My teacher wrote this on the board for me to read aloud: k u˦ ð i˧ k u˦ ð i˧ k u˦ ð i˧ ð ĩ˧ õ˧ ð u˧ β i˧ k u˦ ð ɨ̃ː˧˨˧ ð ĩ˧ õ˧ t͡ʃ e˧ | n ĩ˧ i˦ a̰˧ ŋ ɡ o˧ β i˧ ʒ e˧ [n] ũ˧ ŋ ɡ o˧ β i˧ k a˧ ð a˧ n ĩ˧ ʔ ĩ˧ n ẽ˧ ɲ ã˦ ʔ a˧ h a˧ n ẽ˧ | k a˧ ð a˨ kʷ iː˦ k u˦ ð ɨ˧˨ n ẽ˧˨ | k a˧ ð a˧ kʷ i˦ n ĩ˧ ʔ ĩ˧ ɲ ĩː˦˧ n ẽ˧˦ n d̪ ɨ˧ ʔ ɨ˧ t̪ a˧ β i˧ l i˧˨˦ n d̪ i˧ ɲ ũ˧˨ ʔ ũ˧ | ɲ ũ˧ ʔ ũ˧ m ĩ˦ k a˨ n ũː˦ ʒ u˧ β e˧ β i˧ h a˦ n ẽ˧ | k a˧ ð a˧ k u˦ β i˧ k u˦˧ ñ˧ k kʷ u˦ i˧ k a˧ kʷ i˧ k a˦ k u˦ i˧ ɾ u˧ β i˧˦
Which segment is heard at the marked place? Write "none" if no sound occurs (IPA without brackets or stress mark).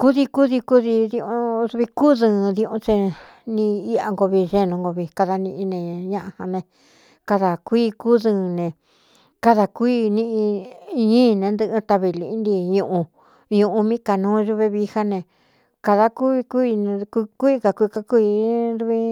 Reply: n